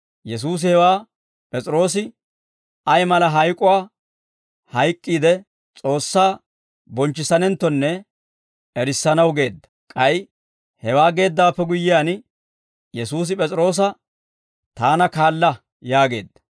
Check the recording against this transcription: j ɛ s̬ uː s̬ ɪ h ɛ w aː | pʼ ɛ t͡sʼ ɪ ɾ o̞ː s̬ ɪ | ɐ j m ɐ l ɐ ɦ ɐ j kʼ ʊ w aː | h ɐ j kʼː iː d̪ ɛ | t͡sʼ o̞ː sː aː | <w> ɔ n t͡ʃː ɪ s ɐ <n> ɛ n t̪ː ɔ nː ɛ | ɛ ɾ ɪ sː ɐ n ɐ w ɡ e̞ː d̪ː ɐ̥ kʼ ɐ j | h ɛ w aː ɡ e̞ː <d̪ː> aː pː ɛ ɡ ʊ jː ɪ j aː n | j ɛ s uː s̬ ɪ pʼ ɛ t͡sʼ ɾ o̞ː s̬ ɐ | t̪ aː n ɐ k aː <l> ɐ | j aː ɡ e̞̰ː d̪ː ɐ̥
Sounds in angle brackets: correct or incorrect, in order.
incorrect: b, correct, correct, incorrect: lː

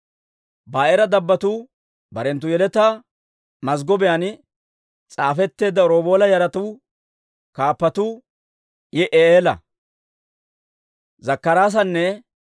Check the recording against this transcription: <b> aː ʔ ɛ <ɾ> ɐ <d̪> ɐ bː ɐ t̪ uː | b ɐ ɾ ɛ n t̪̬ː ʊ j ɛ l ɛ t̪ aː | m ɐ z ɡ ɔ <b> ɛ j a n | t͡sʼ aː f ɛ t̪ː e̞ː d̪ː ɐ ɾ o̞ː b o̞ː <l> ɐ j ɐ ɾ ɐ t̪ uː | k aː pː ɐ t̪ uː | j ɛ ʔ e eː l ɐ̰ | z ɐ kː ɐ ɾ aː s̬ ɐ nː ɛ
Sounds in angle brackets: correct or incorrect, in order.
correct, correct, correct, correct, correct

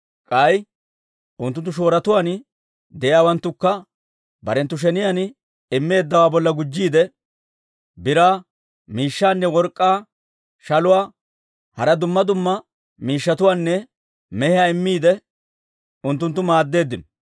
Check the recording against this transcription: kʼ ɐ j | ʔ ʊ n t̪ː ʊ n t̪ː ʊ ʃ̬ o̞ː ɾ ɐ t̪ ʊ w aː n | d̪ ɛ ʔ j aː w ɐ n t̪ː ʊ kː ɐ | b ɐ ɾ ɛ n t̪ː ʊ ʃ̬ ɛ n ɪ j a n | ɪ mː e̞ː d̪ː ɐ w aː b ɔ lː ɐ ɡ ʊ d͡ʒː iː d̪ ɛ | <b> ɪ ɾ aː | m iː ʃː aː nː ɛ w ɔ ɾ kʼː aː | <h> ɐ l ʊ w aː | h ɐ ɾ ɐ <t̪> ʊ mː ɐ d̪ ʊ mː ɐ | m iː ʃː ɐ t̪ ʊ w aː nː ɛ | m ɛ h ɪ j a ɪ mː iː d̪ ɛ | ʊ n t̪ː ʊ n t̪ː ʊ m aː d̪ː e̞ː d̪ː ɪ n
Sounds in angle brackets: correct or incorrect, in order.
correct, incorrect: ʃ, incorrect: d̪

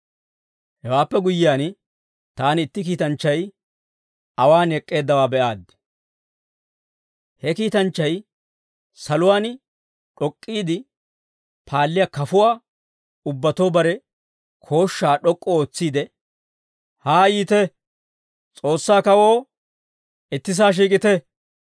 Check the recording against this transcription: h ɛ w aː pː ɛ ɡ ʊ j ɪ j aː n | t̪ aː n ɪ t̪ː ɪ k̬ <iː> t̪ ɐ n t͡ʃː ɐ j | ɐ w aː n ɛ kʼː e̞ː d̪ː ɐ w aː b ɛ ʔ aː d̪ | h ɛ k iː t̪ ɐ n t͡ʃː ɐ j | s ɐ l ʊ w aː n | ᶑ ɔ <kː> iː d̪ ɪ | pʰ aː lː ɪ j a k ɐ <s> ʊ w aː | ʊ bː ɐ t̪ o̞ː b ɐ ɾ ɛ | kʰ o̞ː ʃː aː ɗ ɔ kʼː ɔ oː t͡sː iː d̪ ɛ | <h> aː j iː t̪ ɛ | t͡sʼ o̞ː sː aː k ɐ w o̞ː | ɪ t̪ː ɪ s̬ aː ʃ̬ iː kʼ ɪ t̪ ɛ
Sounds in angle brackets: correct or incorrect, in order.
correct, incorrect: kʼː, incorrect: f, correct

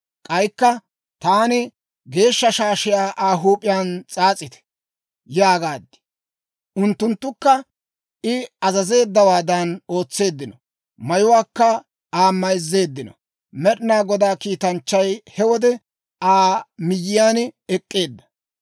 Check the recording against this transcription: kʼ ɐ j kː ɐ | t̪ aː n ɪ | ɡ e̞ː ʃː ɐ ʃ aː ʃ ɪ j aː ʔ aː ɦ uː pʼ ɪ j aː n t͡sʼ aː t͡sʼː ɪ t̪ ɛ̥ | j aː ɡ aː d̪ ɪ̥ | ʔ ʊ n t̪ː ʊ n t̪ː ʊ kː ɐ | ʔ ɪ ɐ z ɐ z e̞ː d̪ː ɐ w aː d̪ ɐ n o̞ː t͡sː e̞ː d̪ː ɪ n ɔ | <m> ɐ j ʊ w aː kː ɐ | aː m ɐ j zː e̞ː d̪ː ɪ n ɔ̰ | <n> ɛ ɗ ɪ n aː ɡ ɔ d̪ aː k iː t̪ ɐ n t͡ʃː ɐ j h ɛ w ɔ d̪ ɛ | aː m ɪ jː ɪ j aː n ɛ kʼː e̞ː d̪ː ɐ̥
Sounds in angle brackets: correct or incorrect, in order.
correct, incorrect: m

